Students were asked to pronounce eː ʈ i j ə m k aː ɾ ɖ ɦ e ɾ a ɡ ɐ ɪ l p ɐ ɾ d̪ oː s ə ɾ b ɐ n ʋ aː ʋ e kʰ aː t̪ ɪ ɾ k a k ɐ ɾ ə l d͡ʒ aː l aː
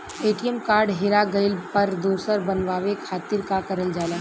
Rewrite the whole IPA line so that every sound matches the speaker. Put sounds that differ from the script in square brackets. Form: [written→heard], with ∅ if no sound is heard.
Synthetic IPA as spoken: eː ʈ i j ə m k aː ɾ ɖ ɦ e ɾ a ɡ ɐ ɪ l p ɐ ɾ d̪ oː s ə ɾ b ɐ n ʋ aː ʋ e kʰ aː t̪ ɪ ɾ k a k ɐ ɾ ə l d͡ʒ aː l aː